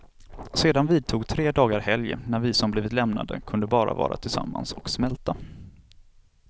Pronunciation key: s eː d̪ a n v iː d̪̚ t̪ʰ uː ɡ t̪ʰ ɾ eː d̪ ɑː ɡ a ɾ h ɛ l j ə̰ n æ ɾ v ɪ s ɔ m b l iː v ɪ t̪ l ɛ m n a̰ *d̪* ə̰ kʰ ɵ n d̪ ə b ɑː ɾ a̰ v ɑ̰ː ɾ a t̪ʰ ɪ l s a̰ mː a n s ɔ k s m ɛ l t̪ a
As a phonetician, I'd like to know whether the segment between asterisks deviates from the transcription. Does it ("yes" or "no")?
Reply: no